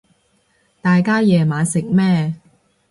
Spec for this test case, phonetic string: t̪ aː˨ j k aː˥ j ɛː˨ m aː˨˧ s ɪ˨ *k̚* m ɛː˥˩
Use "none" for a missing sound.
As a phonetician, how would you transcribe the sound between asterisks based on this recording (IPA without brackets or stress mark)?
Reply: k̚